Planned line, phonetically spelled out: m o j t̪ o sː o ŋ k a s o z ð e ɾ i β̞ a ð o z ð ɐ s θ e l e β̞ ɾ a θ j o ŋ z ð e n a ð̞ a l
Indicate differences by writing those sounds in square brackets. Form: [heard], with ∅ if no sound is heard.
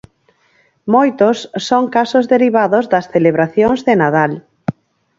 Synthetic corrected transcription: m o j t̪ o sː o ŋ k a s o z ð e ɾ i β̞ a ð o z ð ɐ s θ e l e β̞ ɾ a θ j o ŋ z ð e n a ð̞ a l